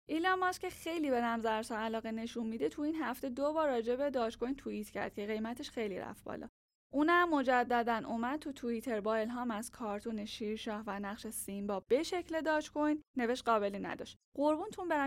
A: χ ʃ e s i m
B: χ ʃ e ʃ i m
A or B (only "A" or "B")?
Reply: A